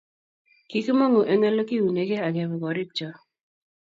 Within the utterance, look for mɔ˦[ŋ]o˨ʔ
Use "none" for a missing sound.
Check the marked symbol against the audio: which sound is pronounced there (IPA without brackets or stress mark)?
ŋ